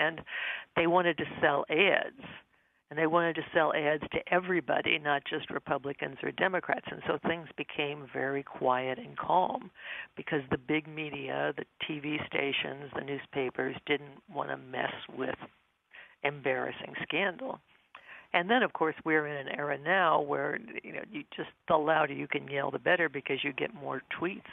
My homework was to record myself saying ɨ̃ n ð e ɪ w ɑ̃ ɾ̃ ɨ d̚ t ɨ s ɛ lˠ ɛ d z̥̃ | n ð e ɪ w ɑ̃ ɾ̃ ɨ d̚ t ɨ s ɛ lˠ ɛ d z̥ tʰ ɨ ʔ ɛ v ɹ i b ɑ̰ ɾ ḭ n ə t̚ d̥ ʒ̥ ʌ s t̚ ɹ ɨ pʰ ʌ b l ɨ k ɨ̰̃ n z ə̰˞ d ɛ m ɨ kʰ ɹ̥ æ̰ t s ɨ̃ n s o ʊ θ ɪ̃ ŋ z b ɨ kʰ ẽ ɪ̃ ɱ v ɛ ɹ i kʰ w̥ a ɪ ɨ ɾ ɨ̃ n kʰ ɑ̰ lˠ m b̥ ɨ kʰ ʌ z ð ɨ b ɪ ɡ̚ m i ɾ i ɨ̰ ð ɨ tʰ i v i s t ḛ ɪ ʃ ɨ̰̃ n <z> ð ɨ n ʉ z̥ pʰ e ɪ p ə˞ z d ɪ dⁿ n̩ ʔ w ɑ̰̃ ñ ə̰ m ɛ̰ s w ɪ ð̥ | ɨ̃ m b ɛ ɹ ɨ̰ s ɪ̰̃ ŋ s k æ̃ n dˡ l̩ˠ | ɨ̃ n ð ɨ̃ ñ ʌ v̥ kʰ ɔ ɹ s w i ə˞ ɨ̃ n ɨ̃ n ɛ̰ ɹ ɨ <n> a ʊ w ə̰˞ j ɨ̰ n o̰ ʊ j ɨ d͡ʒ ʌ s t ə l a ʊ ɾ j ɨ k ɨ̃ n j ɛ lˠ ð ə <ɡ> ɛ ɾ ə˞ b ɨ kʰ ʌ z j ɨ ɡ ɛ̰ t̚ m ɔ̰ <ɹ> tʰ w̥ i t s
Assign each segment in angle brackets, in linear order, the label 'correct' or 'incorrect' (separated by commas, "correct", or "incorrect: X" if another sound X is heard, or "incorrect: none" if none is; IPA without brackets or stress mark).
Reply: correct, correct, incorrect: b, correct